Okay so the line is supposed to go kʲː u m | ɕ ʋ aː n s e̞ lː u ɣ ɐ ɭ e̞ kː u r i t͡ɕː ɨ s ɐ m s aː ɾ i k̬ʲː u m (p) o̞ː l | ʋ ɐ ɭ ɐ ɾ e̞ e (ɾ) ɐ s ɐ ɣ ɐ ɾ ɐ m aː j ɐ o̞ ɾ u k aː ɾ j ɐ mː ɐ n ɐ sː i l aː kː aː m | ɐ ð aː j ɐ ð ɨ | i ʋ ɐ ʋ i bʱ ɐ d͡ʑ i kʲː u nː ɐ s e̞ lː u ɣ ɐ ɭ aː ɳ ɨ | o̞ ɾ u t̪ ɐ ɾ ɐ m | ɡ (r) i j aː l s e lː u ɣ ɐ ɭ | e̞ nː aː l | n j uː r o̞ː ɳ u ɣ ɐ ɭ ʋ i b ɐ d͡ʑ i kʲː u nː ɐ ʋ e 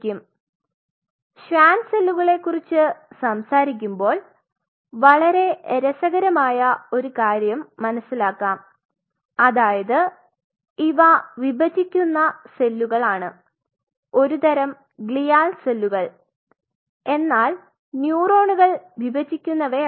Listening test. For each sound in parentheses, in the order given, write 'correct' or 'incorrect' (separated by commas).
incorrect, correct, incorrect